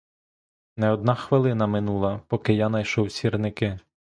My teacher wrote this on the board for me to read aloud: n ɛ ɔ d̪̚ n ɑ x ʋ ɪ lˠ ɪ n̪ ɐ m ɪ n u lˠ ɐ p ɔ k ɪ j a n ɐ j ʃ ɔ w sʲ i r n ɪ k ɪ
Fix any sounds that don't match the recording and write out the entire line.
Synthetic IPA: n ɛ ɔ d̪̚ n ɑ x ʋ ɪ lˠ ɪ n̪ ɐ m ɪ n u lˠ ɐ p ɔ k ɪ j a n ɐ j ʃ ɔ w sʲ i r n ɪ k ɪ